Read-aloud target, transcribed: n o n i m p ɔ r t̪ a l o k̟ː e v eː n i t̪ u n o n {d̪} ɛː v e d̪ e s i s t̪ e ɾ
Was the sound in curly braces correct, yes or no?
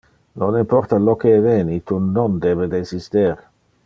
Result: yes